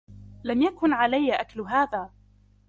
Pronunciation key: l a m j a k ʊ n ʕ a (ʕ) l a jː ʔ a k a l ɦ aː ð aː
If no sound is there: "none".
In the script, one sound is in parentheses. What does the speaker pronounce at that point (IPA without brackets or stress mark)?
none